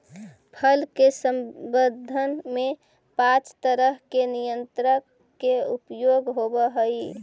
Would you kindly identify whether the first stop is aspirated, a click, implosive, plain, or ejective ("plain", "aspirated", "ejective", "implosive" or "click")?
aspirated